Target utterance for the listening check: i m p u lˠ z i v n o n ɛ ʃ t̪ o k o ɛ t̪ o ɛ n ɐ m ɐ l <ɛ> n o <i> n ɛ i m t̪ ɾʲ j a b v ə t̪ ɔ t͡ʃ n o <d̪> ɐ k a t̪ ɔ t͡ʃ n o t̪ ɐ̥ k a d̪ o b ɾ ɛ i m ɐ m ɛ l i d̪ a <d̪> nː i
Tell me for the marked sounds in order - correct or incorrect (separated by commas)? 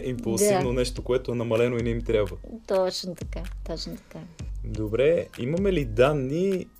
correct, correct, incorrect, incorrect